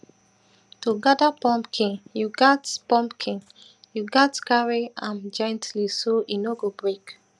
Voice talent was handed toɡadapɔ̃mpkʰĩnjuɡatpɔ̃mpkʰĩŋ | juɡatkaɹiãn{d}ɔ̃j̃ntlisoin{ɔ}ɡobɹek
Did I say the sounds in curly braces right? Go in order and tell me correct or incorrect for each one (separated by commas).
incorrect, incorrect